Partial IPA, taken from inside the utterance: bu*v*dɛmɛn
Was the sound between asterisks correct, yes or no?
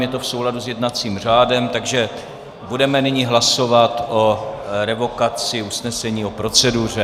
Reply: no